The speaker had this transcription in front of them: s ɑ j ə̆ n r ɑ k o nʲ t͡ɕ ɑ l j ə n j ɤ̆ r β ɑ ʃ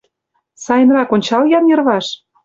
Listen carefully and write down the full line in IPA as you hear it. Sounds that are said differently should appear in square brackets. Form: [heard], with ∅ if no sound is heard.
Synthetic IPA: s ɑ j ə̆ n r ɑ k o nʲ t͡ɕ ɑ l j [ɑ] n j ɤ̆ r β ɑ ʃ